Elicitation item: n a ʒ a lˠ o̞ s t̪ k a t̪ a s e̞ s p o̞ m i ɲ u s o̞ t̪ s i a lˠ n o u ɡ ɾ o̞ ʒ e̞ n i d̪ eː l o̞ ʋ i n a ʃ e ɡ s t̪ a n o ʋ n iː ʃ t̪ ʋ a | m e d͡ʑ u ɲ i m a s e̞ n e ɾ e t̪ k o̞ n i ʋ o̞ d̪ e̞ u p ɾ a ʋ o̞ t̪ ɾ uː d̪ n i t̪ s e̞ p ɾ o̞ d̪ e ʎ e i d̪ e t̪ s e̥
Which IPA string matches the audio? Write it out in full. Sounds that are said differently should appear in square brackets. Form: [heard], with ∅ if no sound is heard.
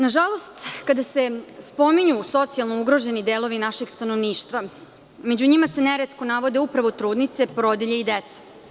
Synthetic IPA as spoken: n a ʒ a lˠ o̞ s t̪ k a [d̪] a s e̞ s p o̞ m i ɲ u s o̞ t̪ s i a lˠ n o u ɡ ɾ o̞ ʒ e̞ n i d̪ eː l o̞ ʋ i n a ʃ e ɡ s t̪ a n o ʋ n iː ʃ t̪ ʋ a | m e d͡ʑ u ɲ i m a s e̞ n e ɾ e t̪ k o̞ n [a] ʋ o̞ d̪ e̞ u p ɾ a ʋ o̞ t̪ ɾ uː d̪ n i t̪ s e̞ p ɾ o̞ d̪ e ʎ e i d̪ e t̪ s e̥

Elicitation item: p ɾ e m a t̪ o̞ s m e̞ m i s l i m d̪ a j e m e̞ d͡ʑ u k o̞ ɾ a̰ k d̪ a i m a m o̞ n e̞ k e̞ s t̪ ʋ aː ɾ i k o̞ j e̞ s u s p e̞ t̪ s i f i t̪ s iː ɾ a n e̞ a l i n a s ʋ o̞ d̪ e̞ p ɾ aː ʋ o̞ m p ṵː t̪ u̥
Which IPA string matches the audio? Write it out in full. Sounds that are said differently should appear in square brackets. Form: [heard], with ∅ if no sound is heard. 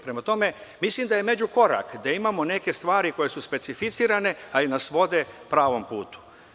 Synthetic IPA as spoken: p ɾ e m a t̪ o̞ [∅] m e̞ m i s l i m d̪ a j e m e̞ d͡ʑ u k o̞ ɾ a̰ k d̪ a i m a m o̞ n e̞ k e̞ s t̪ ʋ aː ɾ i k o̞ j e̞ s u s p e̞ t̪ s i f i t̪ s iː ɾ a n e̞ a l i n a s ʋ o̞ d̪ e̞ p ɾ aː ʋ o̞ m p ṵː t̪ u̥

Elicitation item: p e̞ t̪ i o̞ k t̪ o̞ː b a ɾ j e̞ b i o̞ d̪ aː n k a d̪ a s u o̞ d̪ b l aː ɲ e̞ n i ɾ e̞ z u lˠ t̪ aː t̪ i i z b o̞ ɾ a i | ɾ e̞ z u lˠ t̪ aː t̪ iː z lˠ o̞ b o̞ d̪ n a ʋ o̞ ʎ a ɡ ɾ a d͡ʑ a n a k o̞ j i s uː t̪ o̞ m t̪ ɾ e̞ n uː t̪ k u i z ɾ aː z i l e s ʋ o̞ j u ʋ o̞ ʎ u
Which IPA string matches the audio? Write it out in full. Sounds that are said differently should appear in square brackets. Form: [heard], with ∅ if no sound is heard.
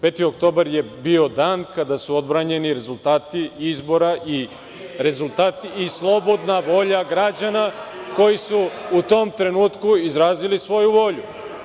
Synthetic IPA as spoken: p e̞ t̪ i o̞ k t̪ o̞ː b a ɾ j e̞ b i o̞ d̪ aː n k a d̪ a s u o̞ d̪ b [ɾ] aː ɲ e̞ n i ɾ e̞ z u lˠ t̪ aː t̪ i i z b o̞ ɾ a i | ɾ e̞ z u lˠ t̪ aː t̪ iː [s] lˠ o̞ b o̞ d̪ n a ʋ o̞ ʎ a ɡ ɾ a d͡ʑ a n a k o̞ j i s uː t̪ o̞ m t̪ ɾ e̞ n uː t̪ k u i z ɾ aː z i l [i] s ʋ o̞ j u ʋ o̞ ʎ u

